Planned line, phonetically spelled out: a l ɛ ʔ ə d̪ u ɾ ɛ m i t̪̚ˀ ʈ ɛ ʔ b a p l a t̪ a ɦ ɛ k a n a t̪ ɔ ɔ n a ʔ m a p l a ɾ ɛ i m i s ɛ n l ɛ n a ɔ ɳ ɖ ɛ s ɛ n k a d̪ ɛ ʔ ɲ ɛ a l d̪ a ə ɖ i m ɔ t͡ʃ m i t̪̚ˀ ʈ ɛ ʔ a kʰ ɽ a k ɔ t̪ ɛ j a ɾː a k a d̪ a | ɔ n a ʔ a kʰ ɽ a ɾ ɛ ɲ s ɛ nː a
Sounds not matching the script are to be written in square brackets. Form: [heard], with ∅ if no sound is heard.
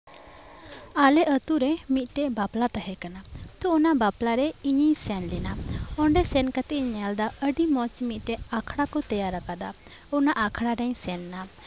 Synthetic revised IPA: a l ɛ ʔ ə [t̪] u ɾ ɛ m i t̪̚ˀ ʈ ɛ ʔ b a p l a t̪ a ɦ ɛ k a n a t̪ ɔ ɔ n a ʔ [b] a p l a ɾ ɛ i [ɲ] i s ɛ n l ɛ n a ɔ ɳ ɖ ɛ s ɛ n k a [t̪] ɛ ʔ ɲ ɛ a l d̪ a ə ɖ i m ɔ t͡ʃ m i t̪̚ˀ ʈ ɛ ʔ a kʰ ɽ a k ɔ t̪ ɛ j a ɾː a k a d̪ a | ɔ n a ʔ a kʰ ɽ a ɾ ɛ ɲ s ɛ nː a